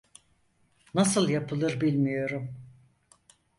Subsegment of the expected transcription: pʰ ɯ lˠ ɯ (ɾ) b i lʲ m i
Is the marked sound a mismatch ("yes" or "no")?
no